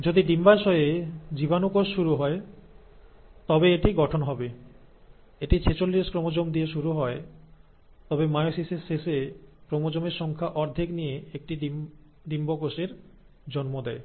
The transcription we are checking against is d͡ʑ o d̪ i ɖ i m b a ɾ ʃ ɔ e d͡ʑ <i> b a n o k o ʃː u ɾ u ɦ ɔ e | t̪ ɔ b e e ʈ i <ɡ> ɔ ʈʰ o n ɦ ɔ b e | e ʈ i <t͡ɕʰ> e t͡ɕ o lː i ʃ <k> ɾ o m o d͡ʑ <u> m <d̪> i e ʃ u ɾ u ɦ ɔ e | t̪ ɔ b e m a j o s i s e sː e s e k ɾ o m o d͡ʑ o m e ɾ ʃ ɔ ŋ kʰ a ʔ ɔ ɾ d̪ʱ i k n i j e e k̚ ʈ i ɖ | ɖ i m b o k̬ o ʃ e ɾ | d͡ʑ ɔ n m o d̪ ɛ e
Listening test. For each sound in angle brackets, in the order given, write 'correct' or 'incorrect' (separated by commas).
correct, correct, correct, correct, incorrect, correct